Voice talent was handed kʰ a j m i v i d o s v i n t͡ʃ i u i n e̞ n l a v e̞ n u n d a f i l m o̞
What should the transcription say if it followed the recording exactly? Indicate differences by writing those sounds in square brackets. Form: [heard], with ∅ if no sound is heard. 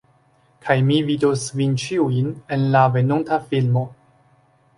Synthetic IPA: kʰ a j m i v i d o s v i n t͡ʃ i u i n e̞ n l a v e̞ n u n [t] a f i l m o̞